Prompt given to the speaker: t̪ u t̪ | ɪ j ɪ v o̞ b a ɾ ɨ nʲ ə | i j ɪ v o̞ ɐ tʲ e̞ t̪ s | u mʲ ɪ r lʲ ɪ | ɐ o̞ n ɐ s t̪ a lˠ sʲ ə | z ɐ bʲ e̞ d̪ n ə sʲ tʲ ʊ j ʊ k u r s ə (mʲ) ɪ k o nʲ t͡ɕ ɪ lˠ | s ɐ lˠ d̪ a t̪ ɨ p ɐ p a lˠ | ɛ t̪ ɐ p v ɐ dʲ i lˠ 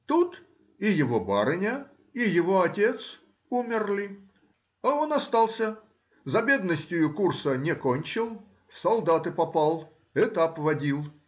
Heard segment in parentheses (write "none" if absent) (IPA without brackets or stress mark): nʲ